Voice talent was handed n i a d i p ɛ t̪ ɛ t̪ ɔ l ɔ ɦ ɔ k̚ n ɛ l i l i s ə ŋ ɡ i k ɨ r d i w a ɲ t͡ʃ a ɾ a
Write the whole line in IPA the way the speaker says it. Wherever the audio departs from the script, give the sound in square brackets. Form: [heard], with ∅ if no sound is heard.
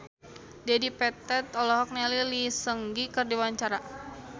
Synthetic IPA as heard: [d] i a d i p ɛ t̪ ɛ t̪ ɔ l ɔ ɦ ɔ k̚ n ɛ l i l i s ə ŋ ɡ i k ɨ r d i w a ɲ t͡ʃ a ɾ a